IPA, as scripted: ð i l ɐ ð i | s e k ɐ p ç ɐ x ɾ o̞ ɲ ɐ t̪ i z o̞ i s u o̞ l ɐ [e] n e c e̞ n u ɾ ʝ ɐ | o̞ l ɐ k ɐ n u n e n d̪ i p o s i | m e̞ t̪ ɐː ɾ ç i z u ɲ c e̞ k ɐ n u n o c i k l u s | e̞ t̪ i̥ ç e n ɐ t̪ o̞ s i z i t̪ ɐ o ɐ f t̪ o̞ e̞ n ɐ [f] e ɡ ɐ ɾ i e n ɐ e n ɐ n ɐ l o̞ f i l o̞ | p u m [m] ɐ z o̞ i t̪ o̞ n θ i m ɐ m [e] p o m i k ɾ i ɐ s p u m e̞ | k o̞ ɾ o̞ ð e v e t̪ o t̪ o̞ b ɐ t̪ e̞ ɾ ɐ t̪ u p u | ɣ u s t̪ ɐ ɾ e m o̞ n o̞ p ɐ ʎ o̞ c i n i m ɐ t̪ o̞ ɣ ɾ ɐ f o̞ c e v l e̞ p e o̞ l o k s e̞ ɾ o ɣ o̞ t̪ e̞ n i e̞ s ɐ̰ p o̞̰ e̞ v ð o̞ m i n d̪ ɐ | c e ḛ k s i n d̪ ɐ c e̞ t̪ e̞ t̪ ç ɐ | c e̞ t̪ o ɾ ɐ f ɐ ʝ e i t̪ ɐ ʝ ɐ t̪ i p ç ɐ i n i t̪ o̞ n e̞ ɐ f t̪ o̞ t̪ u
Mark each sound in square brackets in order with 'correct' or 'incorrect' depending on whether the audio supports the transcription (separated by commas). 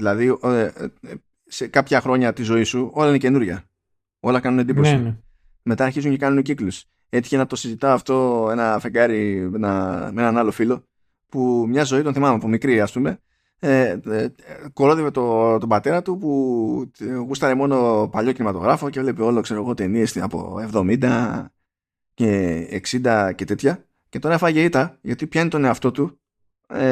incorrect, correct, incorrect, correct